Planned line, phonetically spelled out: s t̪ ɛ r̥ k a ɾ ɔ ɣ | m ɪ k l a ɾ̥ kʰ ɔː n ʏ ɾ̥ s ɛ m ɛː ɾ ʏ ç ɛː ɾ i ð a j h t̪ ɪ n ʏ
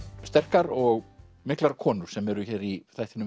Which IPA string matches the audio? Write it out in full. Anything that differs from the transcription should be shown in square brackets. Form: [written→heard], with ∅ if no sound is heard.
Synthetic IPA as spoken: s t̪ ɛ r̥ k a ɾ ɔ ɣ | m ɪ k l a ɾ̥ kʰ ɔː n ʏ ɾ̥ s ɛ m [ɛː→ɛ] ɾ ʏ ç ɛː ɾ i [ð→θ] a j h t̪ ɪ n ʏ